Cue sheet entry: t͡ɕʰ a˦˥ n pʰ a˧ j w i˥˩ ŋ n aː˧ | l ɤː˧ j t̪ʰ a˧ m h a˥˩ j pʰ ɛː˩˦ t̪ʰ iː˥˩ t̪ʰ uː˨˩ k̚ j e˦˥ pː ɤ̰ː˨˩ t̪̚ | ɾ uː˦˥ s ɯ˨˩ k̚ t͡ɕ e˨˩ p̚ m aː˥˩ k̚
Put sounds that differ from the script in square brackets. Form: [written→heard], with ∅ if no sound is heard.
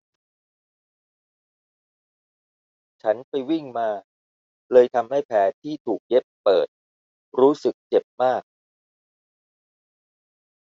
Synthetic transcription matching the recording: t͡ɕʰ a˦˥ n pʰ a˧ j w i˥˩ ŋ [n→m] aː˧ | l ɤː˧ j t̪ʰ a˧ m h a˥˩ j pʰ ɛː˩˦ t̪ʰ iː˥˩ t̪ʰ uː˨˩ k̚ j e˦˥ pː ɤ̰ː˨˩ t̪̚ | ɾ uː˦˥ s ɯ˨˩ k̚ t͡ɕ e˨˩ p̚ m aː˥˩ k̚